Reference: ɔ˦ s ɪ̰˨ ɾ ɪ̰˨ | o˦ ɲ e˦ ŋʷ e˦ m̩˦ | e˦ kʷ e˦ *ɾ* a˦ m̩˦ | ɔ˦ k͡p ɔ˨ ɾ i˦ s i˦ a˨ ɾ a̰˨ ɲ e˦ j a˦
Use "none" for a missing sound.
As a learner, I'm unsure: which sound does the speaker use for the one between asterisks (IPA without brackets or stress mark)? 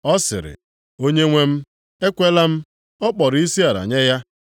l